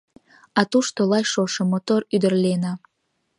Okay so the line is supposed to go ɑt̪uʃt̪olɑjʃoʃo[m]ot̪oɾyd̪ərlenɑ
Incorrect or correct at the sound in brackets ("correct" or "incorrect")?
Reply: correct